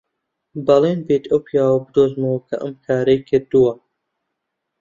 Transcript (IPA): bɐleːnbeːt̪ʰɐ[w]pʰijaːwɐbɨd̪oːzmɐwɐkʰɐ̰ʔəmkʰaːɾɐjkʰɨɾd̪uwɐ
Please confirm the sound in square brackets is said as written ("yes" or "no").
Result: yes